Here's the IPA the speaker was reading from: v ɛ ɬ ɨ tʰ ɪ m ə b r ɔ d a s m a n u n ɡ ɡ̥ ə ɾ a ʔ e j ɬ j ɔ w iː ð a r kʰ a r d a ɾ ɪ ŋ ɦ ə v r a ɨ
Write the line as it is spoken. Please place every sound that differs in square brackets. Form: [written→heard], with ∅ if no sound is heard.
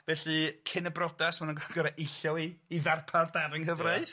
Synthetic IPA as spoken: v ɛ ɬ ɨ [tʰ→kʰ] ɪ [m→n] ə b r ɔ d a s m a n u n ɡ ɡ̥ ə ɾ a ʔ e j ɬ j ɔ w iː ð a r [kʰ→pʰ] a r d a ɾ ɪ ŋ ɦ ə v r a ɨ